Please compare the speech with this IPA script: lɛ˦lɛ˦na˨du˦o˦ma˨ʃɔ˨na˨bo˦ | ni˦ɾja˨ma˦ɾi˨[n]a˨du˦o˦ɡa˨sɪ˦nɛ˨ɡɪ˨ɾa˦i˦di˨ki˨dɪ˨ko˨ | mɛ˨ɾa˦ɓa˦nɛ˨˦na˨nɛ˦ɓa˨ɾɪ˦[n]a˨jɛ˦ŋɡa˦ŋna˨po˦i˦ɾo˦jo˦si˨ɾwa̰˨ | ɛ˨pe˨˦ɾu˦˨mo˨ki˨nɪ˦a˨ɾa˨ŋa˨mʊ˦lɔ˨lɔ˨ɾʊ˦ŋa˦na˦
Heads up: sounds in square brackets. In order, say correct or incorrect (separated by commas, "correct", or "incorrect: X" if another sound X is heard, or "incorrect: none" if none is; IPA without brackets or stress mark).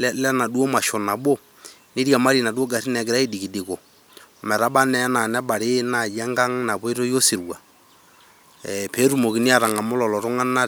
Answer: correct, correct